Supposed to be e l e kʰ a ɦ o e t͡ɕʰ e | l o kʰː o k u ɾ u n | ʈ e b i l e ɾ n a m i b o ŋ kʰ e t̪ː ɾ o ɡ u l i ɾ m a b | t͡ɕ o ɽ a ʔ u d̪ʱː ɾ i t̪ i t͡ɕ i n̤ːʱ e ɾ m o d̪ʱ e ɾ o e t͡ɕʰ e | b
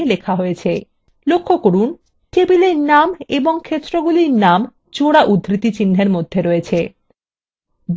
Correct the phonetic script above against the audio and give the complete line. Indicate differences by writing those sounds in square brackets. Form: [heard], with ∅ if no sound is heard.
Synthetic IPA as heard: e l e kʰ a ɦ o e t͡ɕʰ e | l o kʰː o k [o] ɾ u n | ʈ e b i l e ɾ n a m [e] b o ŋ kʰ e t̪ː ɾ o ɡ u l i ɾ [n] a [m] | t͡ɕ o ɽ a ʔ u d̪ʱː ɾ i t̪ i t͡ɕ i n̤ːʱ e ɾ m o [d̪ʱː] e ɾ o e t͡ɕʰ e | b